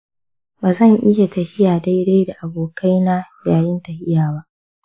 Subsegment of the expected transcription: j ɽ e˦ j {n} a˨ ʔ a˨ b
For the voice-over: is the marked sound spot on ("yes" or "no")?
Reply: no